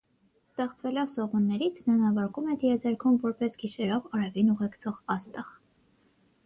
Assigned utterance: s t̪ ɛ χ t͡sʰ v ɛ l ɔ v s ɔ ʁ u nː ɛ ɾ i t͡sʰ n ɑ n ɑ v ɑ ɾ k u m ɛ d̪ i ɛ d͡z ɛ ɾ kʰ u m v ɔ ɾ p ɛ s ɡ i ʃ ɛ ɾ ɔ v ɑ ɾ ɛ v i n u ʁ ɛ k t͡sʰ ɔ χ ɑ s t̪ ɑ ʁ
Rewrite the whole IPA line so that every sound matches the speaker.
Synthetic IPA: s t̪ ɛ χ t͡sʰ v ɛ l ɔ v s ɔ ʁ u nː ɛ ɾ i t͡sʰ n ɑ n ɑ v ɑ ɾ k u m ɛ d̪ i ɛ d͡z ɛ ɾ kʰ u m v ɔ ɾ p ɛ s ɡ i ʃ ɛ ɾ ɔ v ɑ ɾ ɛ v i n u ʁ ɛ k t͡sʰ ɔ ʁ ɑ s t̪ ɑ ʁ